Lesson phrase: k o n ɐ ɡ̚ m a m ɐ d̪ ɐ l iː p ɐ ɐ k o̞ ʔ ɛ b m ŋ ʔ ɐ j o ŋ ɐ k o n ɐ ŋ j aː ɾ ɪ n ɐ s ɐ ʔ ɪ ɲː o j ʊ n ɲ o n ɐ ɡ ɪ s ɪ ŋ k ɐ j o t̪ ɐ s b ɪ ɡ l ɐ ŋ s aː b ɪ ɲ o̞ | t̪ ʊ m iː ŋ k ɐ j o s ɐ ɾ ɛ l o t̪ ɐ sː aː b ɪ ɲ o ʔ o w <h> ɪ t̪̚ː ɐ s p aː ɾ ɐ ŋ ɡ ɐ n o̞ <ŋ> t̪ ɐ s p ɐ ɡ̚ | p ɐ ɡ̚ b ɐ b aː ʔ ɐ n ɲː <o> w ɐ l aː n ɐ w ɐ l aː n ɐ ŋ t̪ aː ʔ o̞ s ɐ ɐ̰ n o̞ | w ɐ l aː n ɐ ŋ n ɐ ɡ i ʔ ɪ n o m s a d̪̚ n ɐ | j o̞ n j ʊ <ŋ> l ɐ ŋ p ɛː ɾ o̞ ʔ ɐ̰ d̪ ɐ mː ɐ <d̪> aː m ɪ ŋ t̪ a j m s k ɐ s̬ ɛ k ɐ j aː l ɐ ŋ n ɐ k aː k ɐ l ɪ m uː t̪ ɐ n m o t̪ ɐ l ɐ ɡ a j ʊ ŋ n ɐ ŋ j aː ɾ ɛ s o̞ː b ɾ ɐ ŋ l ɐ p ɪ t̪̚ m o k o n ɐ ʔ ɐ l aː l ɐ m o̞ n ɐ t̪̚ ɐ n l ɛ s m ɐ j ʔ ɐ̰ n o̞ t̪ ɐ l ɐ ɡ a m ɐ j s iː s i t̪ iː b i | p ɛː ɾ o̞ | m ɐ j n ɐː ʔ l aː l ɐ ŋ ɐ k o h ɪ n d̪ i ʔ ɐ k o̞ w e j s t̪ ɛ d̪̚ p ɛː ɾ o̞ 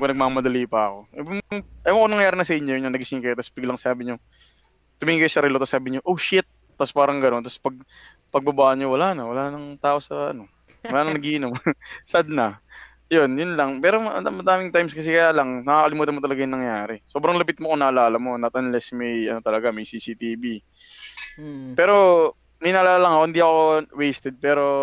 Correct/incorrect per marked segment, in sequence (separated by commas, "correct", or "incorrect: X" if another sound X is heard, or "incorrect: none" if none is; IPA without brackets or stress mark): incorrect: ʃ, incorrect: n, correct, incorrect: n, correct